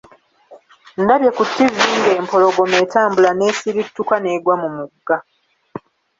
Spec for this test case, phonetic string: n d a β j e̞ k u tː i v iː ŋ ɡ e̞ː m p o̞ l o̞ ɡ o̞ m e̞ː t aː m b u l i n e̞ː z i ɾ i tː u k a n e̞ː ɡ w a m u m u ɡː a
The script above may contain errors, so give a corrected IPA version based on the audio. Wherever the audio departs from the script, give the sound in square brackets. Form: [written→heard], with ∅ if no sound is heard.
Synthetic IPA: n d a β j e̞ k u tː i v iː ŋ ɡ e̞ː m p o̞ l o̞ ɡ o̞ m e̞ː t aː m b u l [i→a] n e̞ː [z→s] i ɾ i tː u k a n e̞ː ɡ w a m u m u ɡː a